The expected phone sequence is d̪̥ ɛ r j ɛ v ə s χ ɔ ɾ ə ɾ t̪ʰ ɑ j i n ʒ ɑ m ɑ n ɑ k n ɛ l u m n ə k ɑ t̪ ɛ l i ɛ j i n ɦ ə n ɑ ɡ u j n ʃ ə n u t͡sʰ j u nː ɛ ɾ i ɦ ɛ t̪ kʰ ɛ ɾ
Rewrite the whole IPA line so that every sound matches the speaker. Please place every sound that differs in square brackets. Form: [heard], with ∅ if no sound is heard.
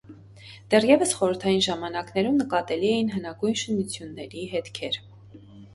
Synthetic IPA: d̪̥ ɛ r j ɛ v ə s χ ɔ ɾ ə ɾ t̪ʰ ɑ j i n ʒ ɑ m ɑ n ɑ k n ɛ [ɾ] u m n ə k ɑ t̪ ɛ l i ɛ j i n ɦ ə n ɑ ɡ u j n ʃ ə n u t͡sʰ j u nː ɛ ɾ i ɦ ɛ t̪ kʰ ɛ ɾ